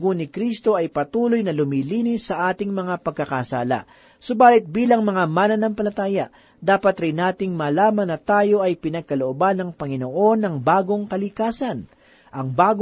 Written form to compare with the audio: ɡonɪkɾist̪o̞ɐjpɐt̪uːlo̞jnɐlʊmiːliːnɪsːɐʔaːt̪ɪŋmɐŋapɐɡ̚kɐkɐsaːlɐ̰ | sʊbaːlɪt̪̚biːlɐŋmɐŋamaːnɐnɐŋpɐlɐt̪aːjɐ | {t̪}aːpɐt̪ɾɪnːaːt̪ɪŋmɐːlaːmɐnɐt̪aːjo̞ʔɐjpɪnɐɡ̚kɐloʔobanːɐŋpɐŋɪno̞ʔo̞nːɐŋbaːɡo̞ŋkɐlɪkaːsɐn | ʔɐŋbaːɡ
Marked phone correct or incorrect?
incorrect